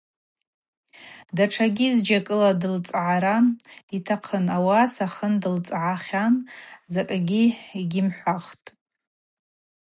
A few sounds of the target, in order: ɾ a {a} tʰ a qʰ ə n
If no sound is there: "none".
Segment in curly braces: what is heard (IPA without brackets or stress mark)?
i